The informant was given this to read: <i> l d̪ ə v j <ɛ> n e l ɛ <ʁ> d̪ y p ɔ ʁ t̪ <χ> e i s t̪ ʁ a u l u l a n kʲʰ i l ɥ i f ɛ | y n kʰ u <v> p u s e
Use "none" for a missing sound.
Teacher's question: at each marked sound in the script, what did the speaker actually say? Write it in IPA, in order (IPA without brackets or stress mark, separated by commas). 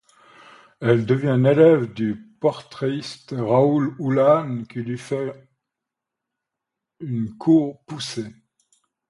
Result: ɛ, ɛ̃, v, χ, ʁ